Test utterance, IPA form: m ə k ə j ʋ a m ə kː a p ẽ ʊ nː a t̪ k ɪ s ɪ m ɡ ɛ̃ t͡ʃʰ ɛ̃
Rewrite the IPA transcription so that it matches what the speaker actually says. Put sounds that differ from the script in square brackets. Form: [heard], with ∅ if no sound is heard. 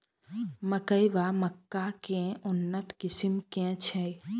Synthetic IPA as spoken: m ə k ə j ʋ a m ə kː a [k] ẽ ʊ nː [ə] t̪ k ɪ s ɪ m [k] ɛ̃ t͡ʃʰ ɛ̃